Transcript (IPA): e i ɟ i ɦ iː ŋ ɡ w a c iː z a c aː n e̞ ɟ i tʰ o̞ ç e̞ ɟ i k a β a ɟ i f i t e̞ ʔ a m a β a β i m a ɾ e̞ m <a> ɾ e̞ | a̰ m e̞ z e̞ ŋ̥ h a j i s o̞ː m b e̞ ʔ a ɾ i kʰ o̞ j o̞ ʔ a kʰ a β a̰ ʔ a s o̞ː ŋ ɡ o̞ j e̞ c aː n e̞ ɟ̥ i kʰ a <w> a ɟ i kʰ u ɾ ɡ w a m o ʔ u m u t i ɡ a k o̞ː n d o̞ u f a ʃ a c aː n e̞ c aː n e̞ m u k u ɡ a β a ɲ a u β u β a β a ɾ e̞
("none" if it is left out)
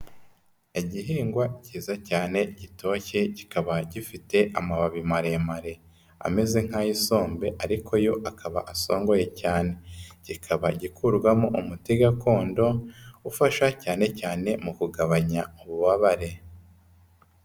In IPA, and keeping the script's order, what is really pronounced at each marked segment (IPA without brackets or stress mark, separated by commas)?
a, β